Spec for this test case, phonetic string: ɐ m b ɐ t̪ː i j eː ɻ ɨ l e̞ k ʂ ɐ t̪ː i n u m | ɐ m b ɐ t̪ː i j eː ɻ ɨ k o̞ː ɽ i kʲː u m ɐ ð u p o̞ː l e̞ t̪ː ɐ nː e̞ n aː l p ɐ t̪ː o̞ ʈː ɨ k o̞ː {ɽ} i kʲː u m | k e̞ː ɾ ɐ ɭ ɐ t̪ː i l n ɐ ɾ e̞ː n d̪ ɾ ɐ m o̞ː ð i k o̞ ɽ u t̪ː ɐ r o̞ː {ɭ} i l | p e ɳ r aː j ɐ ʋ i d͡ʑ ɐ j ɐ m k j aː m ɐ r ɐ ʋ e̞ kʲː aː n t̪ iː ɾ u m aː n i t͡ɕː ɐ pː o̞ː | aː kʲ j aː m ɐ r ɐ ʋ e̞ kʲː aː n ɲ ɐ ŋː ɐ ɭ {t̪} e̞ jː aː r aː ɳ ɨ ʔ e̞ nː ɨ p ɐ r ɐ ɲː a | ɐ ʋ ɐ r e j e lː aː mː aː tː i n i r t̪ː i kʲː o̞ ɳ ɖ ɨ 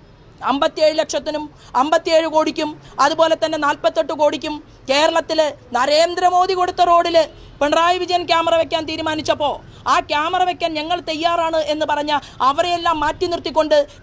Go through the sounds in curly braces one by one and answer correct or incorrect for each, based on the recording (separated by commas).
correct, incorrect, correct